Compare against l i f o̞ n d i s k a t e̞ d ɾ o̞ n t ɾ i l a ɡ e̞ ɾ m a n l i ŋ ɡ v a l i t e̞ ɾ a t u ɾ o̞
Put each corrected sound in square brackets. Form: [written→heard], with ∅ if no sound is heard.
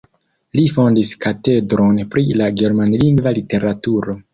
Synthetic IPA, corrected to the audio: l i f o̞ n d i s k a t e̞ d ɾ o̞ n [t→p] ɾ i l a ɡ e̞ ɾ m a n l i ŋ ɡ v a l i t e̞ ɾ a t u ɾ o̞